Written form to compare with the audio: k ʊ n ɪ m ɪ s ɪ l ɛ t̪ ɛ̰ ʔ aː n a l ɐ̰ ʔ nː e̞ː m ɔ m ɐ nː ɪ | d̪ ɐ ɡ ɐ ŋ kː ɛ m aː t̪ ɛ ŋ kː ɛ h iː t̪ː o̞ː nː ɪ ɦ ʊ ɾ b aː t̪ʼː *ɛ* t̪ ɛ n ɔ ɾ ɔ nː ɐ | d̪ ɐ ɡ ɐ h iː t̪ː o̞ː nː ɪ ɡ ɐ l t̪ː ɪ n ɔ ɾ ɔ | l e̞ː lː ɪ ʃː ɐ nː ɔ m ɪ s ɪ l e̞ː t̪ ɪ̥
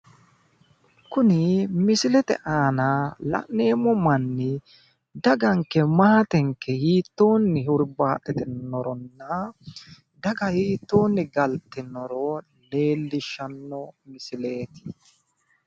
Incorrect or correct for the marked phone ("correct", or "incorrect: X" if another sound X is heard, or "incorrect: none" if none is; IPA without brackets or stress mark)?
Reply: correct